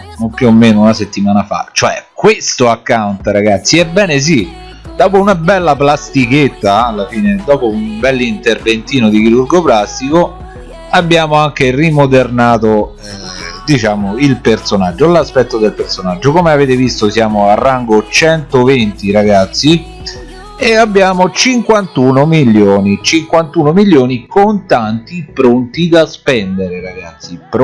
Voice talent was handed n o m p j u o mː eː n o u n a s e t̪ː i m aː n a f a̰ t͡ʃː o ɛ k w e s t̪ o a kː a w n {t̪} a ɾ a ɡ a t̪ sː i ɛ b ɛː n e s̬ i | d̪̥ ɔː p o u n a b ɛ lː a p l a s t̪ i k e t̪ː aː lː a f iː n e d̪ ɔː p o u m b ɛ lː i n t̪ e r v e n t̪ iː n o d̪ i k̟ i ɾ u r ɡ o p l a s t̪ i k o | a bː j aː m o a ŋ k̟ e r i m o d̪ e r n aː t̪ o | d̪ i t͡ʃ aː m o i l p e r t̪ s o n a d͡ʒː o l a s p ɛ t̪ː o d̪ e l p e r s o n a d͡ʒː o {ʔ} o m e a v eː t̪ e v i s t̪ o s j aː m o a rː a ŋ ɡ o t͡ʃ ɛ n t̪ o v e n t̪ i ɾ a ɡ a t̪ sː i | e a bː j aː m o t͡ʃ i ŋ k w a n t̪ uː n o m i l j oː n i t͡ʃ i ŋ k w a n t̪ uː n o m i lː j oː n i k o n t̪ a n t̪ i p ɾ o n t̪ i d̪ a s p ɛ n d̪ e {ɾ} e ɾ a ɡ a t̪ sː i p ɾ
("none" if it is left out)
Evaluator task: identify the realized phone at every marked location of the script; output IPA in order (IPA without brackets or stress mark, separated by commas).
t̪, k, ɾ